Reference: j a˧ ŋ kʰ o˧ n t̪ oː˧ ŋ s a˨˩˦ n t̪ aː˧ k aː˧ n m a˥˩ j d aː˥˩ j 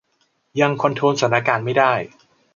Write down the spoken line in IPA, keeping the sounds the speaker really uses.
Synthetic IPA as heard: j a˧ ŋ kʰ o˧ n t̪ʰ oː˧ n s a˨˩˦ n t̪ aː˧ k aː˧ n m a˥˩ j d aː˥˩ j